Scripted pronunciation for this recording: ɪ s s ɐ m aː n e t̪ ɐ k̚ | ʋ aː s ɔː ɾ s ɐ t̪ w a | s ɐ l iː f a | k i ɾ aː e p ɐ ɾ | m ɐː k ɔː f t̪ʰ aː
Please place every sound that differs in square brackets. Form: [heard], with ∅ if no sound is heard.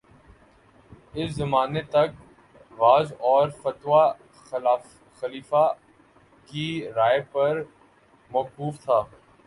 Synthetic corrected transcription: ɪ s [z] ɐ m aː n e t̪ ɐ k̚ | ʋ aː [z] ɔː ɾ [f] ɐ t̪ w a | [x] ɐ l iː f a | k i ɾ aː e p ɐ ɾ | m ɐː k [uː] f t̪ʰ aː